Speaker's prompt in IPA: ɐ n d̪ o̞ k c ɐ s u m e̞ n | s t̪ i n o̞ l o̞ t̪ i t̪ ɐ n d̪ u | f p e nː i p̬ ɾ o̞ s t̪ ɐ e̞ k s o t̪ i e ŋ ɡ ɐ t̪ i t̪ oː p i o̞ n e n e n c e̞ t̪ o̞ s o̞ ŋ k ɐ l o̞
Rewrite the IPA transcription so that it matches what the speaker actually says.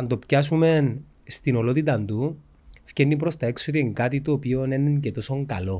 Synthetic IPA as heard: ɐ n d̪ o̞ p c ɐ s u m e̞ n | s t̪ i n o̞ l o̞ t̪ i t̪ ɐ n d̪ u | f c e nː i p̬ ɾ o̞ s t̪ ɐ e̞ k s o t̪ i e ŋ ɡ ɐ t̪ i t̪ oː p i o̞ n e n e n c e̞ t̪ o̞ s o̞ ŋ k ɐ l o̞